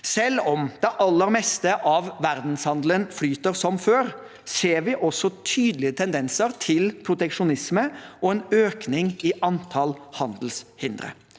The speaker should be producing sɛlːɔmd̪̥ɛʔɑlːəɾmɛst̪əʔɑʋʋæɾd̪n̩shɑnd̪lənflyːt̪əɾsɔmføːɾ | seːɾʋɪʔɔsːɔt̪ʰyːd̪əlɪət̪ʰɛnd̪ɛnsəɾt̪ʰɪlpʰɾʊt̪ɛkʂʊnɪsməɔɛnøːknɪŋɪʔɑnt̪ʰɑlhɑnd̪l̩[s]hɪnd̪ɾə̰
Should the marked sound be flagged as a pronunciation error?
no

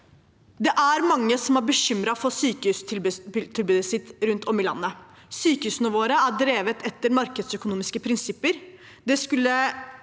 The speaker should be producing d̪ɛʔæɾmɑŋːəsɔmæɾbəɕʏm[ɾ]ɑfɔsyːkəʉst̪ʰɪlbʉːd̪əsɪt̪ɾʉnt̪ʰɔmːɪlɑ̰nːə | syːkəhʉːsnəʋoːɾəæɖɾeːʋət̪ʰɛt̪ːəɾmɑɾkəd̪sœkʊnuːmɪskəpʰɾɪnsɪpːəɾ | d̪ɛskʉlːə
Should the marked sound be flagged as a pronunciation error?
no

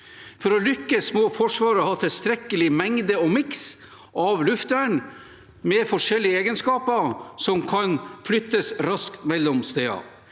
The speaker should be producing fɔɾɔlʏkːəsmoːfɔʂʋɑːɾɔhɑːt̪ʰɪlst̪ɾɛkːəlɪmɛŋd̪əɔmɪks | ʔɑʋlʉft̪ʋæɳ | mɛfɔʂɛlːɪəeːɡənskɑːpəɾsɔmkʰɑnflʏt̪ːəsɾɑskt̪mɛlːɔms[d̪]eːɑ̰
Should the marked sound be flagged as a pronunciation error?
yes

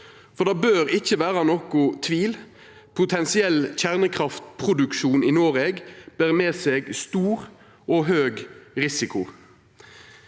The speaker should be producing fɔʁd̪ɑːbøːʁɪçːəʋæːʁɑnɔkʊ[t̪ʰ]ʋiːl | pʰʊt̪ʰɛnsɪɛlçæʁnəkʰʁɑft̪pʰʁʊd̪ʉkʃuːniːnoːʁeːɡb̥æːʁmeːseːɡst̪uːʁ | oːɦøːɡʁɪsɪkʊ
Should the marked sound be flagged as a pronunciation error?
no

